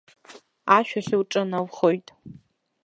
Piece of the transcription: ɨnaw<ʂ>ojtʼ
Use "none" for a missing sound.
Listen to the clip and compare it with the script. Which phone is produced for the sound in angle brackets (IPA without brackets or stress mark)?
χ